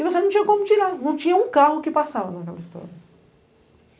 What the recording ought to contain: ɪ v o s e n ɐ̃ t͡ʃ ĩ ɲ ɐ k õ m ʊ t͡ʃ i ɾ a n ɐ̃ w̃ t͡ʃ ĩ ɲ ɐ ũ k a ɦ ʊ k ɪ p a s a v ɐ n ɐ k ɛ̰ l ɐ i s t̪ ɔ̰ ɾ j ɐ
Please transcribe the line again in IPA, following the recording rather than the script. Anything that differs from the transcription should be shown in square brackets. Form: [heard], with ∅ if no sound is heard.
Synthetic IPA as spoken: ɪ v o s e n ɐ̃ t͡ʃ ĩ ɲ ɐ k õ m ʊ t͡ʃ i ɾ a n ɐ̃ w̃ t͡ʃ ĩ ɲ ɐ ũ k a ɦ ʊ k ɪ p a s a v ɐ n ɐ k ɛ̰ l ɐ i s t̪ ɔ̰ ɾ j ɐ